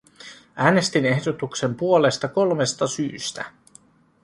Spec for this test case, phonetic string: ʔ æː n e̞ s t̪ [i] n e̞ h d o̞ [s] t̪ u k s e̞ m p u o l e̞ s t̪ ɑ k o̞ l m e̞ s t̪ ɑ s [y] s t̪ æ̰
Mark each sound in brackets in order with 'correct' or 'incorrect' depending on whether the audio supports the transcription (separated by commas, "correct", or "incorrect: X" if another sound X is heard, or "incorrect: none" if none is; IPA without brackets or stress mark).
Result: correct, incorrect: none, incorrect: yː